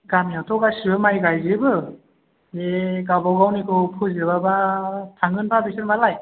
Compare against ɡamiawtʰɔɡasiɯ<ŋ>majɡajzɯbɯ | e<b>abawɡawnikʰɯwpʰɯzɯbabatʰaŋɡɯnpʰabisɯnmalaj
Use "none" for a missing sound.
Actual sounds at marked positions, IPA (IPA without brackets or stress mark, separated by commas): none, ɡ